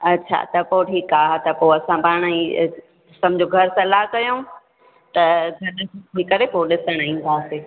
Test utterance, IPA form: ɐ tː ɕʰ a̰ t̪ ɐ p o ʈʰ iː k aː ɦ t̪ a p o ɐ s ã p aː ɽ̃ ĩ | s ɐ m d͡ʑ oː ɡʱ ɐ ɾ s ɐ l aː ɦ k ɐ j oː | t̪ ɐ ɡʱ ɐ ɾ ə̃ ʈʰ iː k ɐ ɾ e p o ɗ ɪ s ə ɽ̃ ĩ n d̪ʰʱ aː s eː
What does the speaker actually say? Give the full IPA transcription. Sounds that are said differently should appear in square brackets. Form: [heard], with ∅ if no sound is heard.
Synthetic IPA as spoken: ɐ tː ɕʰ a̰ t̪ ɐ p o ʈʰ iː k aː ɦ t̪ [ɐ] p o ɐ s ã p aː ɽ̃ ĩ | s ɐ m d͡ʑ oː ɡʱ ɐ ɾ s ɐ l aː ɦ k ɐ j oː | t̪ ɐ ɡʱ ɐ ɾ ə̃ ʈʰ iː k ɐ ɾ e p o ɗ ɪ s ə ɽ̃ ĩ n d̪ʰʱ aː s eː